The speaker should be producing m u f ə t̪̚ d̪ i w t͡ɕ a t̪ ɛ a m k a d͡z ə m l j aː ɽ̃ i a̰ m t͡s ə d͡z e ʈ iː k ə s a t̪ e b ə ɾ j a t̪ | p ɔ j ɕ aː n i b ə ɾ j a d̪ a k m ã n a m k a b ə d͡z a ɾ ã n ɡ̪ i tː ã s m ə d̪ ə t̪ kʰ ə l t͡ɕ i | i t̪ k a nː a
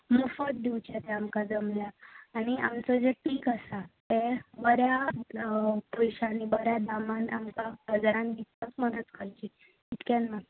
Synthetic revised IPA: m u f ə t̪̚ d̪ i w t͡ɕ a t̪ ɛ a m k a d͡z ə m l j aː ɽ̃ i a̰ m t͡s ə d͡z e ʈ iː k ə s a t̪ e b ə ɾ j a | p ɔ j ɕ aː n i b ə ɾ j a d̪ a m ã n a m k a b ə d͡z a ɾ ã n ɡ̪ i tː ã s m ə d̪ ə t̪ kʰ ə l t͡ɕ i | i t̪ k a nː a